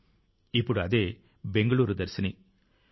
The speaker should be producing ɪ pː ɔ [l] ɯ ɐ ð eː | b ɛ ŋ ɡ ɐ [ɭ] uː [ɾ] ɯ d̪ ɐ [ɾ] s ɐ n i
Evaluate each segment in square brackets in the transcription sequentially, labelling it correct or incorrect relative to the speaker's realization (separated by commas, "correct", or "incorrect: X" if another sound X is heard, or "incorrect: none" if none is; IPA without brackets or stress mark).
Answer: incorrect: ɽ, correct, correct, correct